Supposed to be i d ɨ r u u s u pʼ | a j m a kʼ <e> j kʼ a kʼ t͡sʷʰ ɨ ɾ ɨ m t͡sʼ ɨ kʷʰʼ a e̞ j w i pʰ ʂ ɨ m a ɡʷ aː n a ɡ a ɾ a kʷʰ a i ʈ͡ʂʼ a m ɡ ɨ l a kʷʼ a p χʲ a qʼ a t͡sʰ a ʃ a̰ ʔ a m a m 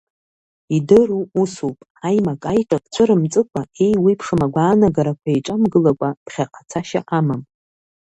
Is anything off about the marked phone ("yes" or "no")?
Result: yes